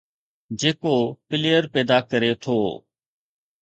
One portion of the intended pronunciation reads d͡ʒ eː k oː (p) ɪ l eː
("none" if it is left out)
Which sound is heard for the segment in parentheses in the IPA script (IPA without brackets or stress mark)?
p